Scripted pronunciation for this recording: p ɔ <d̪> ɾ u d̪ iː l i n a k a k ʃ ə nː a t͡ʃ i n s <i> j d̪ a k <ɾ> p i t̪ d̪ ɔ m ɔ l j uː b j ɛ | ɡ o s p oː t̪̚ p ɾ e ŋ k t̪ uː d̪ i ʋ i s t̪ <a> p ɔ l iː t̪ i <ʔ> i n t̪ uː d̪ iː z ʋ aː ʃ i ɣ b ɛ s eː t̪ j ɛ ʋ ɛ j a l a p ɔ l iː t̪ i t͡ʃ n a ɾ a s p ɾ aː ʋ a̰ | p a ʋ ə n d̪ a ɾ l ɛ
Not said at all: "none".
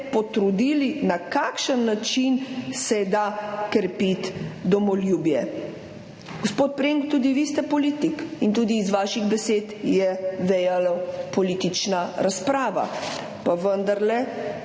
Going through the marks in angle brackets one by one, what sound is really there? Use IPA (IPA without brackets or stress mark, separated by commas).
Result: t̪, ɛ, ɾ, ɛ, k